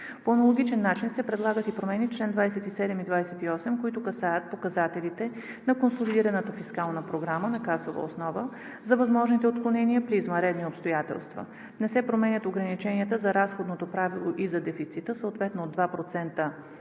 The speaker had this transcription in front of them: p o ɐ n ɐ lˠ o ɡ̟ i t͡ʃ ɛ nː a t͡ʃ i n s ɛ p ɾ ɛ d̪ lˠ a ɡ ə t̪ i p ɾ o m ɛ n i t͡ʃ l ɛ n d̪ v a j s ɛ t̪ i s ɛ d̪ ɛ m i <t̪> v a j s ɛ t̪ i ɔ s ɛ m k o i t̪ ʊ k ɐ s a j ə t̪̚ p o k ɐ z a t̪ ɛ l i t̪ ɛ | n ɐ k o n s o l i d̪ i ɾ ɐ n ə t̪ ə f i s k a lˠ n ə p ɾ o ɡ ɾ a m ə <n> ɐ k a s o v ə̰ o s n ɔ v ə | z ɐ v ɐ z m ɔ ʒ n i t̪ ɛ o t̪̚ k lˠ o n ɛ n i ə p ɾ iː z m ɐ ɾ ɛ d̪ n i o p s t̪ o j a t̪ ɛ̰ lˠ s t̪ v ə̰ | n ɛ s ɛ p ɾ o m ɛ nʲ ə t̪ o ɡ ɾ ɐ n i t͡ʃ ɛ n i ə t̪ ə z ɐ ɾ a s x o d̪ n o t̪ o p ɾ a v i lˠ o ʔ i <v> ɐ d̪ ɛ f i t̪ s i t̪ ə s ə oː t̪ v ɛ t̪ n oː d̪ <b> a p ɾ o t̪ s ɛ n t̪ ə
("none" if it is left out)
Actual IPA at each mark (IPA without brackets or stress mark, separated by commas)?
d̪, n, z, v